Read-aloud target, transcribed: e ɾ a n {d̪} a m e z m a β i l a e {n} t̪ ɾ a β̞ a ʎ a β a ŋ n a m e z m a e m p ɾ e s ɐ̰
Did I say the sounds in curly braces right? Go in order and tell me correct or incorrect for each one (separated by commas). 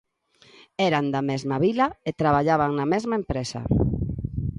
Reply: correct, incorrect